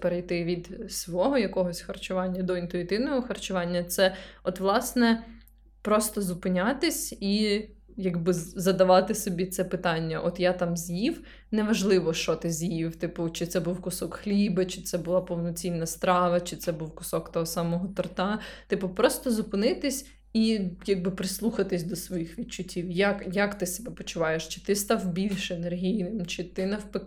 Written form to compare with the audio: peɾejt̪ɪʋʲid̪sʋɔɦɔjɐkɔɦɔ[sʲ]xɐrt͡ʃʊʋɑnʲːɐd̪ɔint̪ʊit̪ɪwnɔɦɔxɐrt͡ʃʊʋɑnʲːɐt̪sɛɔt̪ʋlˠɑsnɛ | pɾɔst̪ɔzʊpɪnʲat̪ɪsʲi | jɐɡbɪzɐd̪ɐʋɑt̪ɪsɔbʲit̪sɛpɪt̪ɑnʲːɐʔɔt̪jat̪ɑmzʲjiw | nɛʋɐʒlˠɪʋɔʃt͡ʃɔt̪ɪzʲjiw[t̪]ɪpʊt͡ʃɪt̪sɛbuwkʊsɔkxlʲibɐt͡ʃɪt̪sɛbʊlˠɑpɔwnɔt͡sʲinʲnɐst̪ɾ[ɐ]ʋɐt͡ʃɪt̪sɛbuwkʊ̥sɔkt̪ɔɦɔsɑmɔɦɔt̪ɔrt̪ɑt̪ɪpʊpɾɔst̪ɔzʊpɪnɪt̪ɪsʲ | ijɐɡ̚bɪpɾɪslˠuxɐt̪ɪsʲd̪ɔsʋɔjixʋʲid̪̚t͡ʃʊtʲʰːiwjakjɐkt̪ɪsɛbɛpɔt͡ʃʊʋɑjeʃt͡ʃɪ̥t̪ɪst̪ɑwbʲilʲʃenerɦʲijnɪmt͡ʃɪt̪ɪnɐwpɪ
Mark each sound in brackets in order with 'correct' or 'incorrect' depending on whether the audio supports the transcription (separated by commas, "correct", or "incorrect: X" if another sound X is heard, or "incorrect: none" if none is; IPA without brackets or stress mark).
correct, correct, incorrect: ɑ